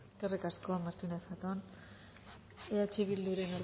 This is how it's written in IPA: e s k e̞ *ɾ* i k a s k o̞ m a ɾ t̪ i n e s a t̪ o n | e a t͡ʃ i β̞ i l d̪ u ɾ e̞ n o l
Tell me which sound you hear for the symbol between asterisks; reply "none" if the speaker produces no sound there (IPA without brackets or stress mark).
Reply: r